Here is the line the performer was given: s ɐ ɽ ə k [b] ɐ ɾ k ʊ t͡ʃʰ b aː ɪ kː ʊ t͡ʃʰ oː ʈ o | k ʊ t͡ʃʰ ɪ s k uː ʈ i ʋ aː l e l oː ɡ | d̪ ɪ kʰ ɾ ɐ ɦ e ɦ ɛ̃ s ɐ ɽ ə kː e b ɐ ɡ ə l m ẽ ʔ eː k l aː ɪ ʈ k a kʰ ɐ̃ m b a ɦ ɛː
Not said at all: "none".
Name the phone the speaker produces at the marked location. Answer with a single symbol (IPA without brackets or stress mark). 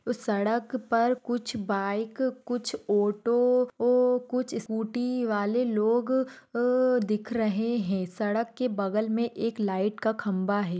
p